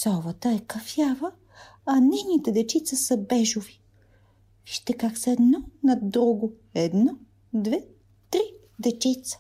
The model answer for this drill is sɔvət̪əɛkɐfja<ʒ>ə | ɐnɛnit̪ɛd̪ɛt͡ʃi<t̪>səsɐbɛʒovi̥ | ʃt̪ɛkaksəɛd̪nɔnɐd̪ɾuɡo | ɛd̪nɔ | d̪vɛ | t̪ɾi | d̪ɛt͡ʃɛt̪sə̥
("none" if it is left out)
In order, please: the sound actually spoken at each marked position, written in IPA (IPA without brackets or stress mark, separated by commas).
v, t̪